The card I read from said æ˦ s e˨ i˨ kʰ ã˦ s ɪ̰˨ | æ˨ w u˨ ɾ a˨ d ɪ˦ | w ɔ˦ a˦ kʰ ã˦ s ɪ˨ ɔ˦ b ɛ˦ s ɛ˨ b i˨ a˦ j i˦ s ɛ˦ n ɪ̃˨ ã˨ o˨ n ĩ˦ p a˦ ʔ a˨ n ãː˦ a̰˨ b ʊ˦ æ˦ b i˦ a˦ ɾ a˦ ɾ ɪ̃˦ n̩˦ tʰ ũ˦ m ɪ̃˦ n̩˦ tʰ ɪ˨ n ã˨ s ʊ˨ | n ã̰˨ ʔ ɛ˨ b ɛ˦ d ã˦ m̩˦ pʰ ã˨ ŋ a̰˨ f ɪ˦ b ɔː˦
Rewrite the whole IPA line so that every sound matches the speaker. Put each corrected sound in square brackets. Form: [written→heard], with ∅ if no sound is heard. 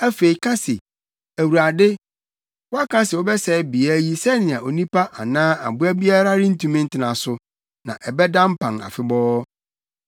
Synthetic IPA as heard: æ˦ [s→f] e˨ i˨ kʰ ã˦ s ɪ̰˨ | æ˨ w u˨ ɾ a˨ d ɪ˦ | w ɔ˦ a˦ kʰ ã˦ s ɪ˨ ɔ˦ b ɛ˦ s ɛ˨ b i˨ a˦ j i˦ s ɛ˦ n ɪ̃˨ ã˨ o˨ n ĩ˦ p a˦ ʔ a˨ n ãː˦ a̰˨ b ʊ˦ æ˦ b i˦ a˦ ɾ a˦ ɾ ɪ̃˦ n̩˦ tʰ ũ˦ m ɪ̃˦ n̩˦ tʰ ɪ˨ n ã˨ s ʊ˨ | n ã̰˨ ʔ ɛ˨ b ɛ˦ d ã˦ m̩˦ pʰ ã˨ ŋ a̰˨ f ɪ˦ b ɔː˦